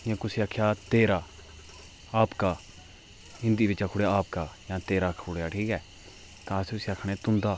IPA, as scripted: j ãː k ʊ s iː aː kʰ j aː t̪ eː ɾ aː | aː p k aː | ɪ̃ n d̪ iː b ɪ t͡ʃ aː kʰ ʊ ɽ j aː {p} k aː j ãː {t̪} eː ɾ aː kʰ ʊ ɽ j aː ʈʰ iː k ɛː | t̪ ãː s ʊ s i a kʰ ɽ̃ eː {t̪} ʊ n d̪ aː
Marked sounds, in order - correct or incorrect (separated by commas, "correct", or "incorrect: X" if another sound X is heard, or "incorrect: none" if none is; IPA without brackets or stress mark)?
correct, correct, correct